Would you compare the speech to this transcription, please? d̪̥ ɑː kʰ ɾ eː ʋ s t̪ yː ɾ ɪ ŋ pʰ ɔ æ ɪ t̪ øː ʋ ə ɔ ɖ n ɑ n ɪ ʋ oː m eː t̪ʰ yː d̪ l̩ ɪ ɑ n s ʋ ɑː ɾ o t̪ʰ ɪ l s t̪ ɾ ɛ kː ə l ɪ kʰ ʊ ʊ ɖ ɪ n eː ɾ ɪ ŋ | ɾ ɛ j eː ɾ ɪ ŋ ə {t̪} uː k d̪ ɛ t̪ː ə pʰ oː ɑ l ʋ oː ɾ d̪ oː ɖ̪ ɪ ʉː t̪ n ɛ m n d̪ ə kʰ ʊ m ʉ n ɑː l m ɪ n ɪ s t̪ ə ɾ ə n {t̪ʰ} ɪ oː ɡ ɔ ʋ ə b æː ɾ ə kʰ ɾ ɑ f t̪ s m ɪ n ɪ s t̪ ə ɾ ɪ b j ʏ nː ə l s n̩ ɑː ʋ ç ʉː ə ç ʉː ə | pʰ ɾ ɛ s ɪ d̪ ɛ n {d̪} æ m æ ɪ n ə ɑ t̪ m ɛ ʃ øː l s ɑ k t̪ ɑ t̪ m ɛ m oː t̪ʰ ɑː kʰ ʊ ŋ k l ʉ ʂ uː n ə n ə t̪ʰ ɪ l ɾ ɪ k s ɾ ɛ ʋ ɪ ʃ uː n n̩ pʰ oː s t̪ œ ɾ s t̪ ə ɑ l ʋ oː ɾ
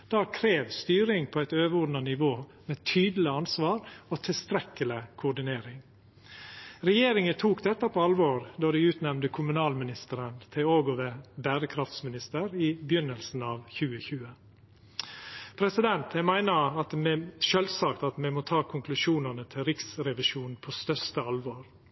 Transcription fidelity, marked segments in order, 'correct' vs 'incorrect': incorrect: t̪ʰ, correct, incorrect: t̪

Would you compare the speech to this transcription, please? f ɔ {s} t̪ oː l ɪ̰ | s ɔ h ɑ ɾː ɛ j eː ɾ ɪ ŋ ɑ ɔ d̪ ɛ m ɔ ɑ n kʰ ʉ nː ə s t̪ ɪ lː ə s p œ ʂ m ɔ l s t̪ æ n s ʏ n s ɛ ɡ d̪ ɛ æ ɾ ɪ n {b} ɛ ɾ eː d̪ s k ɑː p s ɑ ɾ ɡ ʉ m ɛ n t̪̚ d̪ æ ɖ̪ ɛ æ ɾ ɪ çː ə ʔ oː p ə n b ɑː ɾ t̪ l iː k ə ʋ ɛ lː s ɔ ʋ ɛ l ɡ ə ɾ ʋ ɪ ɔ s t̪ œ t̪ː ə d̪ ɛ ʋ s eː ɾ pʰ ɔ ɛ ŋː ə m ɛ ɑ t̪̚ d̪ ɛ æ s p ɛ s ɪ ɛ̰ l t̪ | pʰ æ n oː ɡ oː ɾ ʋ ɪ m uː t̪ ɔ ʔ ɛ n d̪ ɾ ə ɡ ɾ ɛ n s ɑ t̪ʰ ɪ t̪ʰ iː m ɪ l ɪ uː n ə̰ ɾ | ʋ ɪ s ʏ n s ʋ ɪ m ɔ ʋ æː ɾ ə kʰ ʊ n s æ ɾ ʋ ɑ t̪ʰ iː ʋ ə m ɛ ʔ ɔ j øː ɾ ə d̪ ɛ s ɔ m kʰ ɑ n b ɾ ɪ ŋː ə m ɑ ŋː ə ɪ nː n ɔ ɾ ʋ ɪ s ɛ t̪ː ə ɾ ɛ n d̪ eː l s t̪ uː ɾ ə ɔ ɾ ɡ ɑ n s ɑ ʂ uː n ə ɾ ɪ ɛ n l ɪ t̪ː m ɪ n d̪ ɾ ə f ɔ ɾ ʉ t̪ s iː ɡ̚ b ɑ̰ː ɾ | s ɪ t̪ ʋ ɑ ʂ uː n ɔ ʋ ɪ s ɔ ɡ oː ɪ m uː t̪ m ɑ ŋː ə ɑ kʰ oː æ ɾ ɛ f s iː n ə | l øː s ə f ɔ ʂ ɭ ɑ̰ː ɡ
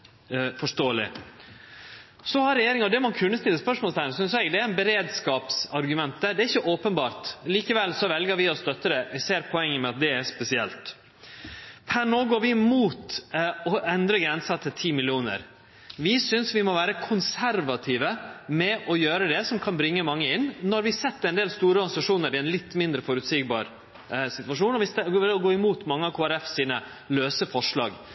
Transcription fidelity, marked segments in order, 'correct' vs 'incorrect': incorrect: ʂ, correct

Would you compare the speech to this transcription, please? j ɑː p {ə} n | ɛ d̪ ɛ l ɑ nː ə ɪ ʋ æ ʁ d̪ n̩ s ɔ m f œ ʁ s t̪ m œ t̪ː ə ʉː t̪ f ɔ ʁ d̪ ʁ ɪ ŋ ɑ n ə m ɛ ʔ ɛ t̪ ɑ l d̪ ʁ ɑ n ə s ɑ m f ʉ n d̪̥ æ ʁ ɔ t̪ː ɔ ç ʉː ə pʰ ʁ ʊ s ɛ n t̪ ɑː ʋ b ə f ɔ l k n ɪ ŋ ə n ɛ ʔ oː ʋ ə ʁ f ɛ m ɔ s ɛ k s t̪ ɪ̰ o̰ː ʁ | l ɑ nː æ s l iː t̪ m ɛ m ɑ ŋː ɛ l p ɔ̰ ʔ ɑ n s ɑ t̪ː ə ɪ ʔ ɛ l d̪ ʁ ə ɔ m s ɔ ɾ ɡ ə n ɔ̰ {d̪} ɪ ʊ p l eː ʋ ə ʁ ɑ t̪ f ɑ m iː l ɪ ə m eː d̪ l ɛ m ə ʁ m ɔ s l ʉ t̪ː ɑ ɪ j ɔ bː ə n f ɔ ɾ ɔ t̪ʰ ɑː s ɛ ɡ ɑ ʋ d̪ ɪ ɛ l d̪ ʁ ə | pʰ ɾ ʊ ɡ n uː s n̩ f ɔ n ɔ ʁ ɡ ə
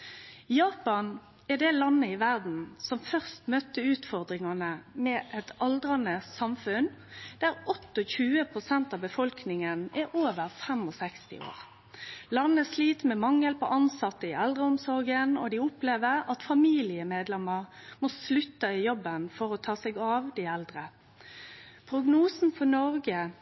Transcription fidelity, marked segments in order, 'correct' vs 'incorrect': incorrect: ɑ, correct

